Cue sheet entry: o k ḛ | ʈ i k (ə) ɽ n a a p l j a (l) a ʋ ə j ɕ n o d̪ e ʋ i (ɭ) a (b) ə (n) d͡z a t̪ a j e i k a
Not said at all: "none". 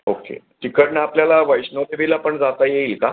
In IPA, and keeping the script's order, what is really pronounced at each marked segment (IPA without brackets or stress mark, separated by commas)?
ə, l, l, p, ɳ